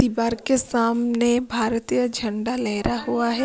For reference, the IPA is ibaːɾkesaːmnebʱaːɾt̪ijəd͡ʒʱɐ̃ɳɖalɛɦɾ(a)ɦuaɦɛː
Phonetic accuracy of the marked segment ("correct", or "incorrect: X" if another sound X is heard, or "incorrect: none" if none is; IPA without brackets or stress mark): correct